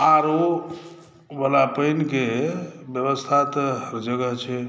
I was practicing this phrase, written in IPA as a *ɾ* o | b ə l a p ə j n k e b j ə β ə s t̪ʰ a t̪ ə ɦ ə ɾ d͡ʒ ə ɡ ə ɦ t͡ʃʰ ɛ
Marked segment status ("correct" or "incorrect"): correct